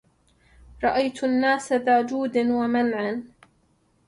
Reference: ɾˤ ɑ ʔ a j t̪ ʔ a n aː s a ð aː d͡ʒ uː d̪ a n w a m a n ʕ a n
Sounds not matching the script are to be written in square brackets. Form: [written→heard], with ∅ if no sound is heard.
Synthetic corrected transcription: ɾˤ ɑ ʔ a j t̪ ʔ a [n→nː] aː s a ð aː d͡ʒ uː d̪ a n w a m a n ʕ a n